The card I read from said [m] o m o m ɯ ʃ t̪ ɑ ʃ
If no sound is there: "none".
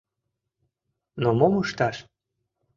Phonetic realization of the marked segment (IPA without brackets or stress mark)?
n